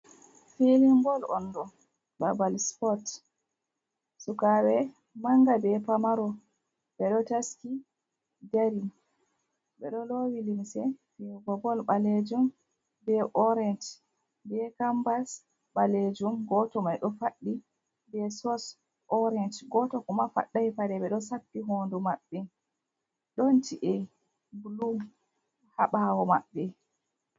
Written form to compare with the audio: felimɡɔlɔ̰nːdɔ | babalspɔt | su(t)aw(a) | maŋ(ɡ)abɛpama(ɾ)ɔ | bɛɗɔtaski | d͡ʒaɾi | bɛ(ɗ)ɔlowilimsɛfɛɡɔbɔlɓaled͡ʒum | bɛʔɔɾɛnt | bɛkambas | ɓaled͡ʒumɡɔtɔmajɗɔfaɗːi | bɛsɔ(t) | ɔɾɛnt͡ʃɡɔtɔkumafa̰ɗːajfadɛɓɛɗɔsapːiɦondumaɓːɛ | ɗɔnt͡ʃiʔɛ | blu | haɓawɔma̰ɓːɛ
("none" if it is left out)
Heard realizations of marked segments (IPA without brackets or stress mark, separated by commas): k, ɛ, ɡ, ɾ, ɗ, s